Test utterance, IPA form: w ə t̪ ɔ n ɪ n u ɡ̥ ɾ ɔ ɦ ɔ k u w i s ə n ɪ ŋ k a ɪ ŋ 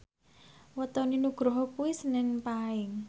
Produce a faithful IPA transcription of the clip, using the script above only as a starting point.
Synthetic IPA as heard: w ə t̪ ɔ n i n u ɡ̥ ɾ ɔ ɦ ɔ k u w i s ə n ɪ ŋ p a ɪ ŋ